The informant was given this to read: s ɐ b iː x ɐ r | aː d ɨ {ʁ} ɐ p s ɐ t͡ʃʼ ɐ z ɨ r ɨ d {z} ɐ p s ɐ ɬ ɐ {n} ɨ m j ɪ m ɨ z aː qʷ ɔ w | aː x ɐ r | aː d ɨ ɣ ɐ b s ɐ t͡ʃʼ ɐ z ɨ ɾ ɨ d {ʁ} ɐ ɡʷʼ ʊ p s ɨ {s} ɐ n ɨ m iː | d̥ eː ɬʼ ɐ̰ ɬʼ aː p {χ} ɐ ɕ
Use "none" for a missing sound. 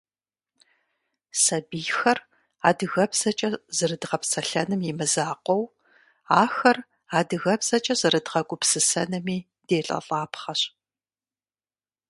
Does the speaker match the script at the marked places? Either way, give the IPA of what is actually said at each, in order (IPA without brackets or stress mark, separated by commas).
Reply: ɣ, ʁ, n, ʁ, s, χ